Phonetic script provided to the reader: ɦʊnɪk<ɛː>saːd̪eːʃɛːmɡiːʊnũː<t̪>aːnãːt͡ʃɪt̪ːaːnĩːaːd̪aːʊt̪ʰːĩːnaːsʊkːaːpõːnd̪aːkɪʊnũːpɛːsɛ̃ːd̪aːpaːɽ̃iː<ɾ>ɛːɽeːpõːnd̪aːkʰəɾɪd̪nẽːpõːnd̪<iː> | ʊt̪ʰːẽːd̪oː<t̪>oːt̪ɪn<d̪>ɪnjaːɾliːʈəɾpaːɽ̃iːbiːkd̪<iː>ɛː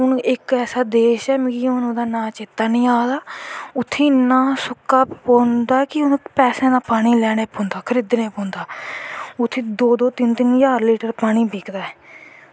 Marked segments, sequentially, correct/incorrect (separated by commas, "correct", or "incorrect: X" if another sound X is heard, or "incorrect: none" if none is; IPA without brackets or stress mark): correct, incorrect: d̪, incorrect: l, incorrect: aː, incorrect: d̪, incorrect: t̪, incorrect: aː